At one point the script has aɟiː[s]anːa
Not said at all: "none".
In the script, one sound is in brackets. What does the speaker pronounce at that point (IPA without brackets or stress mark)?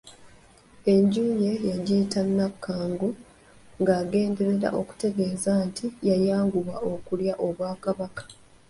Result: t